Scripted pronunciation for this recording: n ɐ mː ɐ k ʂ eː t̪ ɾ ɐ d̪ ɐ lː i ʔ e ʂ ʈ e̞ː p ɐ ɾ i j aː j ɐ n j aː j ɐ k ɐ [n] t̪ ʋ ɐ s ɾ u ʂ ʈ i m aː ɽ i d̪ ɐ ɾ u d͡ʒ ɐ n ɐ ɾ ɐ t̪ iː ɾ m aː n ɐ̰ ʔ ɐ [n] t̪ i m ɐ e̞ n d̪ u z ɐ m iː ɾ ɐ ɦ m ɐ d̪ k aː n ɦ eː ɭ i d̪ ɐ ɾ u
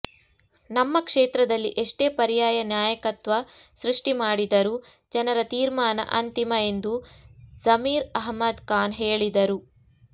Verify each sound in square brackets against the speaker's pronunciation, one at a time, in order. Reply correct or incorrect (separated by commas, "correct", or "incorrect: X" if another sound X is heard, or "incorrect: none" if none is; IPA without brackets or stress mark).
incorrect: none, correct